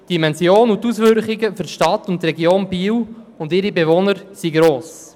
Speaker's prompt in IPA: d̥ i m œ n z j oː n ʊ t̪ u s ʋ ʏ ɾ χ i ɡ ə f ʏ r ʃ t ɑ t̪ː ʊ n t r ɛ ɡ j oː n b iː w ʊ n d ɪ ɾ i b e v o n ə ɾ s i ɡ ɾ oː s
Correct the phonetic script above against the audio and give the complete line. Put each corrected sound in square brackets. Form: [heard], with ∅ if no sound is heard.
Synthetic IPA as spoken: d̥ i m [ɛ] n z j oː n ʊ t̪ u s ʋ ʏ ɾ χ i ɡ ə f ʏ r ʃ t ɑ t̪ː ʊ n t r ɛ ɡ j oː n b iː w ʊ n d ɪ ɾ i b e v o n ə ɾ s i ɡ ɾ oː s